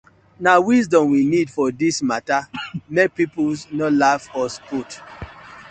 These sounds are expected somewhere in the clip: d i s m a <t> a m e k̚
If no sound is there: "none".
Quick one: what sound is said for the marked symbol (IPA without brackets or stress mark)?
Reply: t